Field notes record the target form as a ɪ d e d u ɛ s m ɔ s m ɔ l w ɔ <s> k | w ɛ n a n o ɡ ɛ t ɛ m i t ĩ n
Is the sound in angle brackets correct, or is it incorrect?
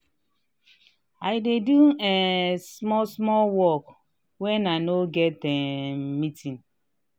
incorrect